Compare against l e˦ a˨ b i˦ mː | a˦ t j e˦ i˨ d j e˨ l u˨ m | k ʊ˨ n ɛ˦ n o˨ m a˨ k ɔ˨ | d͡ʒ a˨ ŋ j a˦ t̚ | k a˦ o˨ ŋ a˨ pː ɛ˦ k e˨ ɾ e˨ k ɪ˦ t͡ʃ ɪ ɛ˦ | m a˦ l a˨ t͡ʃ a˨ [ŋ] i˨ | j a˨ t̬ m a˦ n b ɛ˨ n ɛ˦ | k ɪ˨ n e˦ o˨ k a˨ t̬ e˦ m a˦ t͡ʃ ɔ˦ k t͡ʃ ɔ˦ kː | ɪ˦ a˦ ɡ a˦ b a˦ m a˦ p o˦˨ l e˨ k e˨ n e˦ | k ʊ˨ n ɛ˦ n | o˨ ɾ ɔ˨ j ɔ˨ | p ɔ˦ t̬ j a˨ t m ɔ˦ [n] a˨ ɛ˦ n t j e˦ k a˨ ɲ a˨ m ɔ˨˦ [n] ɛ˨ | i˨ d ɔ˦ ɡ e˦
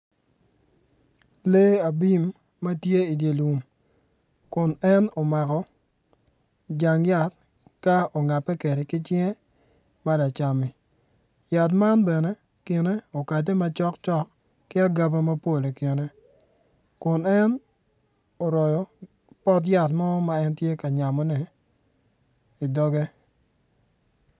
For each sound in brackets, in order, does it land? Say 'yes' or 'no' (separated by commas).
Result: no, no, yes